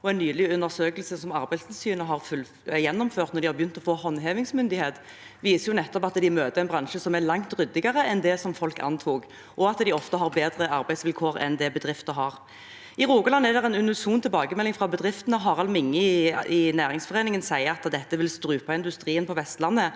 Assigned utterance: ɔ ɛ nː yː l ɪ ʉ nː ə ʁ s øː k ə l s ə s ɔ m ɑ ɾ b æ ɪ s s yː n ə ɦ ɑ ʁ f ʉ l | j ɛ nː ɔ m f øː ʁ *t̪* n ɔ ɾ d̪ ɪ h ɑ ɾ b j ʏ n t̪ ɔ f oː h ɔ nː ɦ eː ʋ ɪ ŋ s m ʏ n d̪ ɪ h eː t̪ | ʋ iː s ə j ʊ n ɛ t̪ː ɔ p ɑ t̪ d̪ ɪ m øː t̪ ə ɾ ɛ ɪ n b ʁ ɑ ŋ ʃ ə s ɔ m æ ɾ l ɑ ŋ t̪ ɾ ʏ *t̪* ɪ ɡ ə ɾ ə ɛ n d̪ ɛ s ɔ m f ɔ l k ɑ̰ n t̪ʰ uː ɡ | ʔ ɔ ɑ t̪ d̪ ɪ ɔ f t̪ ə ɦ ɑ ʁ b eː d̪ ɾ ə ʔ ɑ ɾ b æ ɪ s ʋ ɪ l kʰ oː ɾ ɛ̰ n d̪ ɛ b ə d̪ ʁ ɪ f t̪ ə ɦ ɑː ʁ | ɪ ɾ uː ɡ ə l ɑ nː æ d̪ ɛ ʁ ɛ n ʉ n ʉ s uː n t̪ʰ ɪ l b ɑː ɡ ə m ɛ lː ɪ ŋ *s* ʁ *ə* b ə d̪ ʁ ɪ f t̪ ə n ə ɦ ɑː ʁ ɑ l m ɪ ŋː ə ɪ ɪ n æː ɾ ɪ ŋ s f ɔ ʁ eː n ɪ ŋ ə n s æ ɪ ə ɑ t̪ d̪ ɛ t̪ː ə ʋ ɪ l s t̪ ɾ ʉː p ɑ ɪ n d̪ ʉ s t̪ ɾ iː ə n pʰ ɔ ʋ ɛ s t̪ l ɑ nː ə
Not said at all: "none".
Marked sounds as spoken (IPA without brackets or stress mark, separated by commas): t̪, d̪, f, ɑ